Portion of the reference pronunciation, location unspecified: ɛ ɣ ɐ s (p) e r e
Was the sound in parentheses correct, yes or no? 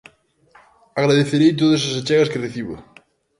no